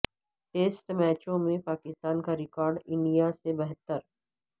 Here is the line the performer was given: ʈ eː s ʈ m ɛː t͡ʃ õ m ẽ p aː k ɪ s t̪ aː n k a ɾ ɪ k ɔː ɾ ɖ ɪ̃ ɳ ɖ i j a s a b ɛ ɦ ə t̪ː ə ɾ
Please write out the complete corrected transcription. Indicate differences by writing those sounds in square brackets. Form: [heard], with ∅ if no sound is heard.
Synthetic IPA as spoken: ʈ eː s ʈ m ɛː t͡ʃ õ m ẽ p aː k ɪ s t̪ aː n k a ɾ ɪ k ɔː ɾ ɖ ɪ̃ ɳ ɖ i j a s [e] b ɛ ɦ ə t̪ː ə ɾ

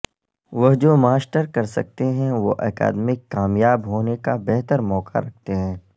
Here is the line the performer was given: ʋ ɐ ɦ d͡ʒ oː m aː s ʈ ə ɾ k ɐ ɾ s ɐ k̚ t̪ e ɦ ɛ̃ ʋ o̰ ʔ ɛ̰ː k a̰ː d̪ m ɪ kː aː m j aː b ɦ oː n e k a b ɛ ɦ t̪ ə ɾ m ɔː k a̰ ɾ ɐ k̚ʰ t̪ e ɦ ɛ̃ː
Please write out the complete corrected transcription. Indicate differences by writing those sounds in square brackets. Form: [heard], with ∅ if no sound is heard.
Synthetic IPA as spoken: ʋ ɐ ɦ d͡ʒ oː m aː s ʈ ə ɾ k ɐ ɾ s ɐ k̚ t̪ e ɦ ɛ̃ ʋ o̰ ʔ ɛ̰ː k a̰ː d̪ m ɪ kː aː m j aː b ɦ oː n e k a b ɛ ɦ t̪ ə ɾ m ɔː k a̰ ɾ ɐ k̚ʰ t̪ e ɦ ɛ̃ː

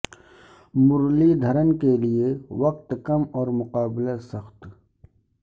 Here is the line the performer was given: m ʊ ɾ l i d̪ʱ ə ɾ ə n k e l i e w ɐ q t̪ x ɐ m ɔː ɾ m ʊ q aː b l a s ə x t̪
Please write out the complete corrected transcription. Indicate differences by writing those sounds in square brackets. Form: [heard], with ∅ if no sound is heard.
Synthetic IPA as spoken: m ʊ ɾ l i d̪ʱ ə ɾ ə n k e l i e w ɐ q t̪ [k] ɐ m ɔː ɾ m ʊ q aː b l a s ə x t̪

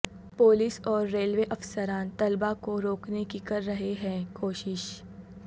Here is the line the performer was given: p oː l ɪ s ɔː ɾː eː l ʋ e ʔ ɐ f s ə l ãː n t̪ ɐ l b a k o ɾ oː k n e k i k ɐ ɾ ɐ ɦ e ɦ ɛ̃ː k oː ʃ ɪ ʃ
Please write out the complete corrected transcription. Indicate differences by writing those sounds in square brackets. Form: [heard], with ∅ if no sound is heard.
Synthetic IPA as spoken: p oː l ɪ s ɔː ɾː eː l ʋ e ʔ ɐ f s ə [ɾ] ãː n t̪ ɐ l b a k o ɾ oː k n e k i k ɐ [ɾː] ɐ ɦ e ɦ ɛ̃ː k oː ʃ ɪ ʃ

